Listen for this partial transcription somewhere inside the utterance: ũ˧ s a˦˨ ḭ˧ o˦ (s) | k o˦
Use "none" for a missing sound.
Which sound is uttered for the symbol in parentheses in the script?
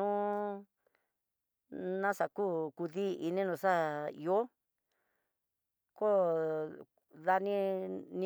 none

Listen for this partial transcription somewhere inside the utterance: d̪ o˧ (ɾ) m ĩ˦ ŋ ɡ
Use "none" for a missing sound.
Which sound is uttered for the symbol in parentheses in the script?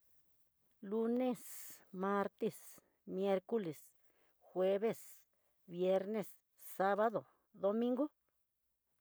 none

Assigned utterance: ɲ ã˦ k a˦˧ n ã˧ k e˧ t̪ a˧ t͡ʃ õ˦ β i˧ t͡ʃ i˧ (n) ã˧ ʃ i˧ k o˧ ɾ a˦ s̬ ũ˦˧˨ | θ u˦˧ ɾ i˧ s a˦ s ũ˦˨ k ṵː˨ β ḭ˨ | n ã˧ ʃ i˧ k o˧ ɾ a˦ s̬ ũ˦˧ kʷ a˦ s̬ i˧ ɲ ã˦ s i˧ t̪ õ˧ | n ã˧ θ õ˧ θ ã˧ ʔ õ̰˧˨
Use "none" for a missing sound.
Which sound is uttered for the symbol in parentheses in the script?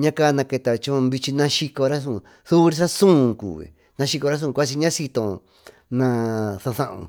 n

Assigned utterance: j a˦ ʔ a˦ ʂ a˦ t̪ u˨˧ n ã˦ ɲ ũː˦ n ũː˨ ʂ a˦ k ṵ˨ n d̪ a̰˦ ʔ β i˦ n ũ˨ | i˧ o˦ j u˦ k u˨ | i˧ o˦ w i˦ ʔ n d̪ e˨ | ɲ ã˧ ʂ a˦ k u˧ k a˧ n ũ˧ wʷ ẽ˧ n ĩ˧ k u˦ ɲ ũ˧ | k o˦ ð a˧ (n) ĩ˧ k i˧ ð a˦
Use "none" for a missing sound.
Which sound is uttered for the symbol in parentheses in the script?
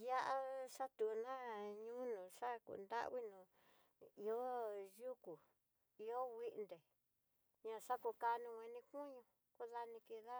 n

